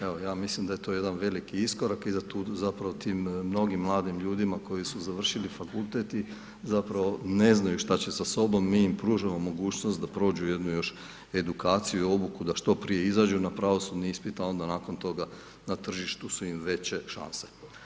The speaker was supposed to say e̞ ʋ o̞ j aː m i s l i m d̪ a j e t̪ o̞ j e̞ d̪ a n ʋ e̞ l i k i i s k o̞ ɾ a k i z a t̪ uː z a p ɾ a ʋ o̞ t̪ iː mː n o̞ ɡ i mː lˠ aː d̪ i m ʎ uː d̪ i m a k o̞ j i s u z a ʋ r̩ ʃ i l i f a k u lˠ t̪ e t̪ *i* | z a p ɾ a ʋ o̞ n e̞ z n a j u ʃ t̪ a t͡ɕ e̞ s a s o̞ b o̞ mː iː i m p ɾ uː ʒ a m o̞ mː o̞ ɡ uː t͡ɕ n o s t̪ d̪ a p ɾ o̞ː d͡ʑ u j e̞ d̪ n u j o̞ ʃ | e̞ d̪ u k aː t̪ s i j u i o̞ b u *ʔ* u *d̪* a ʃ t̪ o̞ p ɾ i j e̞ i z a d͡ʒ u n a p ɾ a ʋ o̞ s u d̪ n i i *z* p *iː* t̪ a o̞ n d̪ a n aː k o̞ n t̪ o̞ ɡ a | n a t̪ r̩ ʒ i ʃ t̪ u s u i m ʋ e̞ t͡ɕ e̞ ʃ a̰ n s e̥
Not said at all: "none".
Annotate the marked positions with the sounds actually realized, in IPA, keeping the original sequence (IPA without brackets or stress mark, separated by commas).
i, k, d̪, s, i